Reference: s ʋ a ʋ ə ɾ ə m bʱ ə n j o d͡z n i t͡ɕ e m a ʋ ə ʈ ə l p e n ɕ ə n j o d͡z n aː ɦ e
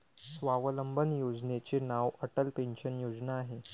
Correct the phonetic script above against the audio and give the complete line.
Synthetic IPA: s ʋ a ʋ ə l ə m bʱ ə n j o d͡z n e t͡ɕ e n a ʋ ə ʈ ə l p e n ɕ ə n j o d͡z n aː ɦ e